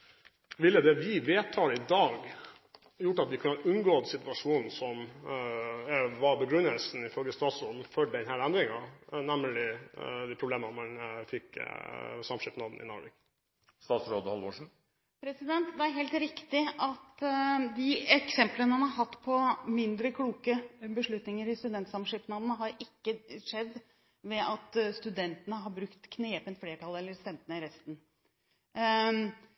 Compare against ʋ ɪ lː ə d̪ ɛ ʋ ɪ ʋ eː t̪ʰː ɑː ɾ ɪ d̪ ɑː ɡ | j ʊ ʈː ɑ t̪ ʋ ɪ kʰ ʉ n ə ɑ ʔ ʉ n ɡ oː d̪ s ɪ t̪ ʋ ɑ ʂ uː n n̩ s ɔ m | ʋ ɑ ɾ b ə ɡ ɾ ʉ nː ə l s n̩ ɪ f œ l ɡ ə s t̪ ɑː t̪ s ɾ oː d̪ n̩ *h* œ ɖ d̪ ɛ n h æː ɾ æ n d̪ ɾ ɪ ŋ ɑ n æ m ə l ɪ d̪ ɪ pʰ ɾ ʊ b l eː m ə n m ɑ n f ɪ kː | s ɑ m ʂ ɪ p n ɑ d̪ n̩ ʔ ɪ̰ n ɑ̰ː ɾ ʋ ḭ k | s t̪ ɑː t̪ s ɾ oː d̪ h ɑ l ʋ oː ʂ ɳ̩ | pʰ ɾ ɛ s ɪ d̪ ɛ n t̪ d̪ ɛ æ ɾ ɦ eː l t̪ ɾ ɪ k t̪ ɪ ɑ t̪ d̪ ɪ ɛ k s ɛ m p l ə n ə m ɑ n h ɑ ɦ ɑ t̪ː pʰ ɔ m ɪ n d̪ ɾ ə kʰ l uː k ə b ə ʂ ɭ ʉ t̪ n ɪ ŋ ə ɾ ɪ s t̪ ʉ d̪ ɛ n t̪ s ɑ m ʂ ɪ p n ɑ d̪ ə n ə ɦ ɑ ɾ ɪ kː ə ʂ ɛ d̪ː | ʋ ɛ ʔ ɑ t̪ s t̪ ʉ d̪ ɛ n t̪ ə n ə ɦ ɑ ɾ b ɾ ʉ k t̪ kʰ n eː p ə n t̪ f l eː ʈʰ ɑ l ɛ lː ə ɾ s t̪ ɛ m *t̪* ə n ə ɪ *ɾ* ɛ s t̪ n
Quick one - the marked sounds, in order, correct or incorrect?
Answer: incorrect, correct, correct

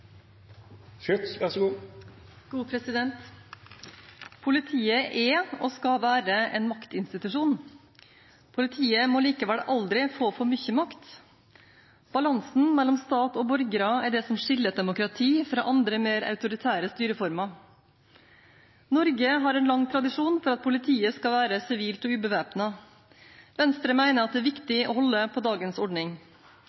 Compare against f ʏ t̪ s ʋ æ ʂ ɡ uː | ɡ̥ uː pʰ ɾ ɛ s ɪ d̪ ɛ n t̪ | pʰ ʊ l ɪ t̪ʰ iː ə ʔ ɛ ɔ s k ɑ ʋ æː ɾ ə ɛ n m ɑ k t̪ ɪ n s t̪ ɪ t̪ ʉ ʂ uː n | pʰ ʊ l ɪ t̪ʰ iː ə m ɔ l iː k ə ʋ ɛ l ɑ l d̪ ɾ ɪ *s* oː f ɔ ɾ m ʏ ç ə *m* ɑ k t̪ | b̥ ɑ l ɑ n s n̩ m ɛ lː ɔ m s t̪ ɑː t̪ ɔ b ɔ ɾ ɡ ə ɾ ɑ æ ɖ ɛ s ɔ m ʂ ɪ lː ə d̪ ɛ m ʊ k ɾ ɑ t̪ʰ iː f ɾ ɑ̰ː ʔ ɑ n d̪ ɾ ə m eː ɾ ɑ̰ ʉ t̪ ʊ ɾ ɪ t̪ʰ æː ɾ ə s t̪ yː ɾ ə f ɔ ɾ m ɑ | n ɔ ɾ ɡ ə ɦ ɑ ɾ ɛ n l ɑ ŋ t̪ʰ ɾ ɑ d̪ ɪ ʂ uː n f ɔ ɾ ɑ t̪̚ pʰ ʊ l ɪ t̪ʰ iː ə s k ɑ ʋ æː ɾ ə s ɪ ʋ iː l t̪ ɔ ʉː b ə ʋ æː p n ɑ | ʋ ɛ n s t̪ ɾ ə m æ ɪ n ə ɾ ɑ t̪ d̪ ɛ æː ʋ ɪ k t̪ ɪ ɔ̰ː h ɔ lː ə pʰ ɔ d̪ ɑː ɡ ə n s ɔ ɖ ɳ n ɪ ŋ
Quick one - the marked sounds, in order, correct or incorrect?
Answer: incorrect, correct

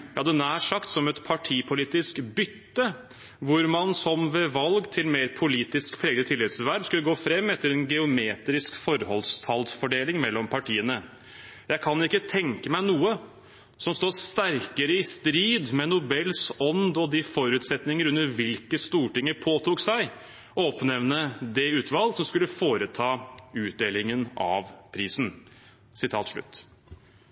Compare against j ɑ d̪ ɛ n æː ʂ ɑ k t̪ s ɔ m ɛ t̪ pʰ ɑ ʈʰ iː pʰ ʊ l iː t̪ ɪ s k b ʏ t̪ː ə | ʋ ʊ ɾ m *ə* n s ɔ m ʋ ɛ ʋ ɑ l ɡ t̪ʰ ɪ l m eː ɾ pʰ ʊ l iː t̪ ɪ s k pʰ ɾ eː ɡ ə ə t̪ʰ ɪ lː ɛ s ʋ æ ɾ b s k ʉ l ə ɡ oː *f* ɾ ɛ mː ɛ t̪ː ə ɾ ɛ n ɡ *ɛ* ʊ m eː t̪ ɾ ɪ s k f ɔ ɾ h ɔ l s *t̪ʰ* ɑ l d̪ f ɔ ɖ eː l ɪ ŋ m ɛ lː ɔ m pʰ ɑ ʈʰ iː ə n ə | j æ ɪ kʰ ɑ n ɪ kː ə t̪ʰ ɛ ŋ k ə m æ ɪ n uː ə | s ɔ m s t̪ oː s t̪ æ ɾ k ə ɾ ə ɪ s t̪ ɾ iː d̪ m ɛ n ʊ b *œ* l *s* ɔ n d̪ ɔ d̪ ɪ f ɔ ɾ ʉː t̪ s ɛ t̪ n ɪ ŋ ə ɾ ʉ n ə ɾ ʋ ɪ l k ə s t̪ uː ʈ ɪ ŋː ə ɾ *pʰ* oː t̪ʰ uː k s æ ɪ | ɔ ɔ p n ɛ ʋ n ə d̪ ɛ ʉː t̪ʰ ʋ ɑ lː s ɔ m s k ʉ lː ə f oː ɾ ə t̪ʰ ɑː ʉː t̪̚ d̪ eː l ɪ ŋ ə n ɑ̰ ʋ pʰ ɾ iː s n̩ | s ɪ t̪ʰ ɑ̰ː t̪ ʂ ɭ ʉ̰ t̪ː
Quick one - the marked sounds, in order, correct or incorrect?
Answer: incorrect, correct, correct, correct, incorrect, correct, correct

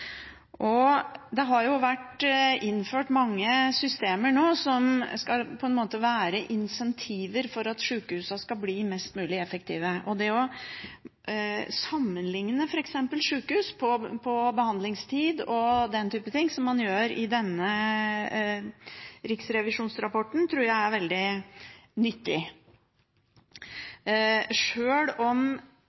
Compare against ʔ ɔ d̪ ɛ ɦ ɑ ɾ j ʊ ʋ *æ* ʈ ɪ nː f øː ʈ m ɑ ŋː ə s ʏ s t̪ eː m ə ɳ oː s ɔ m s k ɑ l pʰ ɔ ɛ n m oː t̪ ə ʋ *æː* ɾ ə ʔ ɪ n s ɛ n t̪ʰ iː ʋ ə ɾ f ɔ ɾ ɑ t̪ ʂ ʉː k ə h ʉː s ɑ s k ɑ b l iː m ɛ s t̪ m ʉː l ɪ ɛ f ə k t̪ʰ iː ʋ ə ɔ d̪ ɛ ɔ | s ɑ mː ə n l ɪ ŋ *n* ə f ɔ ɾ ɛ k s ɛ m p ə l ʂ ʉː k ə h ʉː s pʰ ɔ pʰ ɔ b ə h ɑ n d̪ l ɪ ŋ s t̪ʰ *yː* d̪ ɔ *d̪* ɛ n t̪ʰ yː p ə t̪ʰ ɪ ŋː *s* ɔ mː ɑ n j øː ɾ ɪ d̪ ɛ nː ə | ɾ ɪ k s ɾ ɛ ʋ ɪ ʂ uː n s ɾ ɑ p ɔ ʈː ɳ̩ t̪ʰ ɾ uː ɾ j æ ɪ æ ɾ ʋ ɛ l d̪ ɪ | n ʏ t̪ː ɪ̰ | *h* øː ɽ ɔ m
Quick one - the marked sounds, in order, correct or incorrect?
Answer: correct, correct, correct, incorrect, correct, correct, incorrect

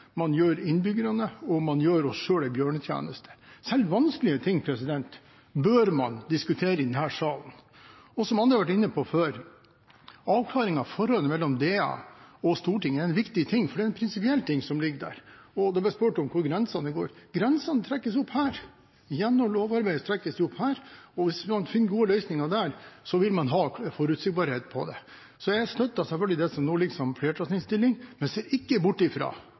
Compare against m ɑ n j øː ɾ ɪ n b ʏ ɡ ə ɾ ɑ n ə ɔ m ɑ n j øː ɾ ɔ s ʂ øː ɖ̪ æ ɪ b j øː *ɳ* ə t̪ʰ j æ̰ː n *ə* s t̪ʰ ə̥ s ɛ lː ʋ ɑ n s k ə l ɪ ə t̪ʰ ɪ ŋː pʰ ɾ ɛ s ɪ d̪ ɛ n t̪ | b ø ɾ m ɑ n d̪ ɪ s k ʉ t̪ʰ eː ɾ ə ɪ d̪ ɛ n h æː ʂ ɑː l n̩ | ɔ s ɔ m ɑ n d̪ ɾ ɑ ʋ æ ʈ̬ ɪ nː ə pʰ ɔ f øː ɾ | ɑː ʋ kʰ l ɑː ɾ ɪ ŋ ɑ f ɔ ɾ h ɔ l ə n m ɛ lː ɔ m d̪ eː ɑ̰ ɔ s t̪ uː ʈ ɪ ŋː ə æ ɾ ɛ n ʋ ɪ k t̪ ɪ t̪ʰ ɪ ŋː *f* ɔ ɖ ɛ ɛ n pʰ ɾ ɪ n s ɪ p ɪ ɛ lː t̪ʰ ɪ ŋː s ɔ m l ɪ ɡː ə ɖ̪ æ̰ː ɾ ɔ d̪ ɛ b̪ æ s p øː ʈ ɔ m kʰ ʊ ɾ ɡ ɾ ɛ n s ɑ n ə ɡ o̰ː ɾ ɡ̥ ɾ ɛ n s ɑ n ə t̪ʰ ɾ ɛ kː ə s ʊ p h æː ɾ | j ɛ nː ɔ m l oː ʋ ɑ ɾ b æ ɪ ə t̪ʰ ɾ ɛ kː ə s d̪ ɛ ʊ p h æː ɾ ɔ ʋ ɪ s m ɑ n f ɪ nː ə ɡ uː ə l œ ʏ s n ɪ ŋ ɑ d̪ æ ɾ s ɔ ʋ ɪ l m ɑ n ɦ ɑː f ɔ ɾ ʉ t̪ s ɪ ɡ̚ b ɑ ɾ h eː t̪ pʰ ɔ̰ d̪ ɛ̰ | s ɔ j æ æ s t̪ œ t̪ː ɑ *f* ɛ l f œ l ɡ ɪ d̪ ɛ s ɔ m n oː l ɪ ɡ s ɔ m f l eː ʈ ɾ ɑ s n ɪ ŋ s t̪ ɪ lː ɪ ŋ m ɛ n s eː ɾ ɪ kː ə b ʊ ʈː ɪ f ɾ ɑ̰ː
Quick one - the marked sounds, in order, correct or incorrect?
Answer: correct, correct, correct, incorrect

